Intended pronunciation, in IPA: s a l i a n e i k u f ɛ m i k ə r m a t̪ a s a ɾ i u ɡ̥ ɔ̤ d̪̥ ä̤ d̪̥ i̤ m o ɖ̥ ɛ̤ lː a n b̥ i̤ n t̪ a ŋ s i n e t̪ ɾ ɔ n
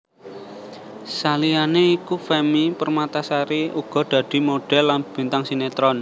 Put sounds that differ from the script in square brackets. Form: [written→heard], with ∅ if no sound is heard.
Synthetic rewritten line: s a l i a n e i k u f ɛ m i [k→p] ə r m a t̪ a s a ɾ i u ɡ̥ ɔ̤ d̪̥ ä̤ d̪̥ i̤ m o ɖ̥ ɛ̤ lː a n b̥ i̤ n t̪ a ŋ s i n e t̪ ɾ ɔ n

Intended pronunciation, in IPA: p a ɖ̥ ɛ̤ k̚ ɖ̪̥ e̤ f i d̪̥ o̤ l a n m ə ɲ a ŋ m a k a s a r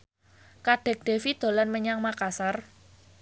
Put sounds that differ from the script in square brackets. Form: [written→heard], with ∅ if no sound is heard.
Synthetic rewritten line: [p→k] a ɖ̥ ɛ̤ k̚ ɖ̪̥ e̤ f i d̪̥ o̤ l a n m ə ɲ a ŋ m a k a s a r

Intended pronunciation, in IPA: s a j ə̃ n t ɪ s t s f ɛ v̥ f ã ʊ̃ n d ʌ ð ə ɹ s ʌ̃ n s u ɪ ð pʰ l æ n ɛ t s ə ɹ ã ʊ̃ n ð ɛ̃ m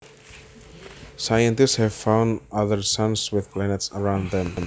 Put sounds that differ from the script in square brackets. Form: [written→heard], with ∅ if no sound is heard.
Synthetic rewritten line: s a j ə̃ n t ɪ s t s [f→h] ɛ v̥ f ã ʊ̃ n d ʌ ð ə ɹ s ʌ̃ n s [u→w] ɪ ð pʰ l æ n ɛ t s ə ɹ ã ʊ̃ n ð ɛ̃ m

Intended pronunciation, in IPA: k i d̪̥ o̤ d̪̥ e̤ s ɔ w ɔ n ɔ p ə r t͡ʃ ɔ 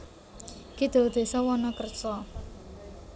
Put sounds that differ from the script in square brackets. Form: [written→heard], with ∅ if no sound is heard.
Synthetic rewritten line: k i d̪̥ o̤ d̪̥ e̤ s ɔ w ɔ n ɔ [p→k] ə r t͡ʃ ɔ

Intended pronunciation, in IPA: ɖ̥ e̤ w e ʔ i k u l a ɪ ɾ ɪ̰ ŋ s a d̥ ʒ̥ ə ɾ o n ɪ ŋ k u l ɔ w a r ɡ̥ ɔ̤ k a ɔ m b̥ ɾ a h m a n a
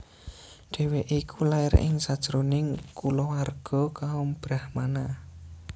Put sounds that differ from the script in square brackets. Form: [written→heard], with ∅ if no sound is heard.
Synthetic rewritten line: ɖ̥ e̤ w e ʔ i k u l a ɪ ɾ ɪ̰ ŋ s a d̥ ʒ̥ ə ɾ o n ɪ ŋ k u l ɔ w a r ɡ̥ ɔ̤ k a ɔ m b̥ ɾ a h m a n a

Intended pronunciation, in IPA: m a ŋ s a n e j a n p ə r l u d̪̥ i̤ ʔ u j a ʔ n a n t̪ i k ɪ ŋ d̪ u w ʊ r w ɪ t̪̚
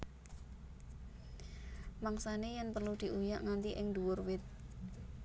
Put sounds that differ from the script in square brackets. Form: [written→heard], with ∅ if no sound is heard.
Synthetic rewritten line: m a ŋ s a n e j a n p ə r l u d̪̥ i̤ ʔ u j a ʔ [n→ŋ] a n t̪ i [k→ʔ] ɪ ŋ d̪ u w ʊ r w ɪ t̪̚

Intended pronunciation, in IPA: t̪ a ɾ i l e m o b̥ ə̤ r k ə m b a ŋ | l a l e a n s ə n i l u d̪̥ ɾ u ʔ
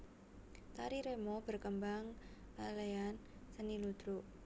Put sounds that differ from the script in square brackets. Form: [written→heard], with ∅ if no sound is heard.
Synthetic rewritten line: t̪ a ɾ i [l→ɾ] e m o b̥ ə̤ r k ə m b a ŋ | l a l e a n s ə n i l u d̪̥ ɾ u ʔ

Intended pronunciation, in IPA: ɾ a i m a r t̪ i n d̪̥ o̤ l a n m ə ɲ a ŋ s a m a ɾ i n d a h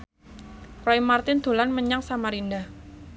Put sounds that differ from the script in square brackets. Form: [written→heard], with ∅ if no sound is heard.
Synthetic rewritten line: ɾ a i m a r t̪ [i→ɪ] n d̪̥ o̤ l a n m ə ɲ a ŋ s a m a ɾ i n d a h

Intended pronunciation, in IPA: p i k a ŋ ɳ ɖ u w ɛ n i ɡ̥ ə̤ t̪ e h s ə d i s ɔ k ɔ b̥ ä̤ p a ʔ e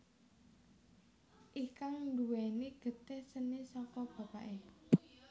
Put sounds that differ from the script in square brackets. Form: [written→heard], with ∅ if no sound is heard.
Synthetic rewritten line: [p→ʔ] i k a ŋ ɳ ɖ u w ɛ n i ɡ̥ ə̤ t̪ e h s ə [d→n] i s ɔ k ɔ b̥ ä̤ p a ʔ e

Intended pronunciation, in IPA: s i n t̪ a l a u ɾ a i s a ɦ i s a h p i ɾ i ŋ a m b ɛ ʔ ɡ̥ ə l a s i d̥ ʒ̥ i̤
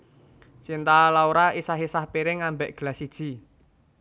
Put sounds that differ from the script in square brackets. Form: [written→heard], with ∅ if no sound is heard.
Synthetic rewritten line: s i n t̪ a l a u ɾ a i s a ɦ i s a h p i ɾ [i→ɪ] ŋ a m b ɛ ʔ ɡ̥ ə l a s i d̥ ʒ̥ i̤

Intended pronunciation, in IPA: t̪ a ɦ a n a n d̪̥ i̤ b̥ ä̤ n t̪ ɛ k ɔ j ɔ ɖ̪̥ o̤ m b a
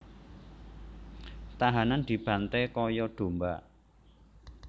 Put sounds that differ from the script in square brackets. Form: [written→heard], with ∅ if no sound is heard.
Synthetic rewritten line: t̪ a ɦ a n a n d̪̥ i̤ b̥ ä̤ n t̪ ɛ k ɔ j ɔ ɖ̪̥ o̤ m b a

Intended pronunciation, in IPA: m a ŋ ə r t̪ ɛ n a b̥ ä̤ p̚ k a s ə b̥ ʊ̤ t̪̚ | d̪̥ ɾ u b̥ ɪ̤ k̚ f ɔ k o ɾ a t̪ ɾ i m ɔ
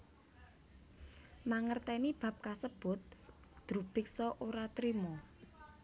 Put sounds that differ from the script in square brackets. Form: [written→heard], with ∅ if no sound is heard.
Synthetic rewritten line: m a ŋ ə r t̪ ɛ n [a→i] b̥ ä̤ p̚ k a s ə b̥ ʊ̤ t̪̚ | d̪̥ ɾ u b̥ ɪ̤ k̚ [f→s] ɔ [k→ʔ] o ɾ a t̪ ɾ i m ɔ

